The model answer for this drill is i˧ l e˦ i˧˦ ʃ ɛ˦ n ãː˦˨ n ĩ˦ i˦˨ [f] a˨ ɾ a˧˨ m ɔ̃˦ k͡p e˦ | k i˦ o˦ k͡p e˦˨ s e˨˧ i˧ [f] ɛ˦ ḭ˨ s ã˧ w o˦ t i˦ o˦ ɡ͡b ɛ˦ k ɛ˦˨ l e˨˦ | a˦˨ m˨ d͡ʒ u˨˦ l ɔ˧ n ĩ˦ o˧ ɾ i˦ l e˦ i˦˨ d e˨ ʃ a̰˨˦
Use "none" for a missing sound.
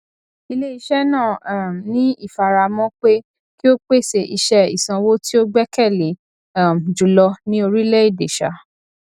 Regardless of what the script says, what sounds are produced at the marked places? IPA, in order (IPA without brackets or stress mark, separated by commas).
f, ʃ